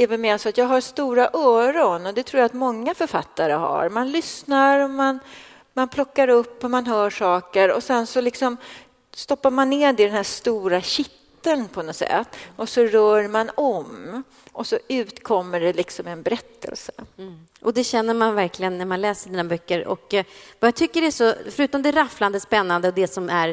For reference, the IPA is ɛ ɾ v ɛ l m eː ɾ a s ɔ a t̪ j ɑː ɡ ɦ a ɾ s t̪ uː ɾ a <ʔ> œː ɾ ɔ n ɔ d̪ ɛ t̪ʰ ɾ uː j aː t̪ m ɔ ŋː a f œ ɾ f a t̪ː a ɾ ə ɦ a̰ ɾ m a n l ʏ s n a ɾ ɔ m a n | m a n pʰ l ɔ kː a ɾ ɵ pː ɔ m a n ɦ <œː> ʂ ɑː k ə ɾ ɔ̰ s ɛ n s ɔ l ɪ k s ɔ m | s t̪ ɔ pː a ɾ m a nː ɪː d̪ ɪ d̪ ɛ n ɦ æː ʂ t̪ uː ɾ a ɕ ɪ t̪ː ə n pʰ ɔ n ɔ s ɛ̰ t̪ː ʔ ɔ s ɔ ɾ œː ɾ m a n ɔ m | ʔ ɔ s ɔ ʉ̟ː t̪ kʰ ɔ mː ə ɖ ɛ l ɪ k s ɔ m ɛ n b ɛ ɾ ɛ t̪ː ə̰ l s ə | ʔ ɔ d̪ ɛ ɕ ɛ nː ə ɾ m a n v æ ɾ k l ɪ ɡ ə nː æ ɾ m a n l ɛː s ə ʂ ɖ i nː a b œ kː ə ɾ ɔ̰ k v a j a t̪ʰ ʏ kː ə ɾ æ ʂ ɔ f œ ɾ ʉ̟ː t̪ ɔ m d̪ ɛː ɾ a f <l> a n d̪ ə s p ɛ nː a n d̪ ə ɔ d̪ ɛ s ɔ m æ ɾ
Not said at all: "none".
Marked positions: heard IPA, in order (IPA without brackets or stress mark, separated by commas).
ʔ, œː, l